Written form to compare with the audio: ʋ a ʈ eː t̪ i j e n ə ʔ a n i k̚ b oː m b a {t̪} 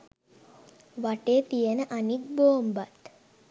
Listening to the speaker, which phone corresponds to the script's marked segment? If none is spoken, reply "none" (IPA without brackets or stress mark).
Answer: t̪